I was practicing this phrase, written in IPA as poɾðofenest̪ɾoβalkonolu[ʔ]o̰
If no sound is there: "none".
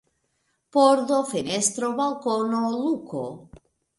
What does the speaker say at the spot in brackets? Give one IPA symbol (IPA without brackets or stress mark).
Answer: k